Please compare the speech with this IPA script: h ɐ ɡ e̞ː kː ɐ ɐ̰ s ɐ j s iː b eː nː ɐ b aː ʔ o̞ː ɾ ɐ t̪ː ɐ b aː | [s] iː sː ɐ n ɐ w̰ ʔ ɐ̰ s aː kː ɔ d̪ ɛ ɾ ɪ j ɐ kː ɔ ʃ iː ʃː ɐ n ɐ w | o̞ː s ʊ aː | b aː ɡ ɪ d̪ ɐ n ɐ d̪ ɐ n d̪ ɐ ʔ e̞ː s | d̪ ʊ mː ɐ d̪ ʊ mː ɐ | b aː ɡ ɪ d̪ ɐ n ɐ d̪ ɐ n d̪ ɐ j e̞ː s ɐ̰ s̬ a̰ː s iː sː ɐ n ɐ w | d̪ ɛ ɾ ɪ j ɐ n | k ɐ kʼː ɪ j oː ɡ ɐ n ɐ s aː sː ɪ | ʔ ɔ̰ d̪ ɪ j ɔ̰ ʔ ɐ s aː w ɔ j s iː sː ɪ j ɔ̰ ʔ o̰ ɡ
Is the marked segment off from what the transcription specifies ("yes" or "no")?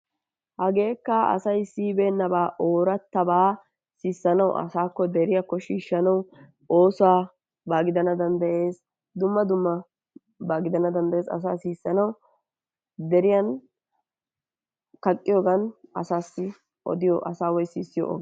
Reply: no